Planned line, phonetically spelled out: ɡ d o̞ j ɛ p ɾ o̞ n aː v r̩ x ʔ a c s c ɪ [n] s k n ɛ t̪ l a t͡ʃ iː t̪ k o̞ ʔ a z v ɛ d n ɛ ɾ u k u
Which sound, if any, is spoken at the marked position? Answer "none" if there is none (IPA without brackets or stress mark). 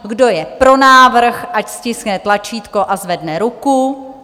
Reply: none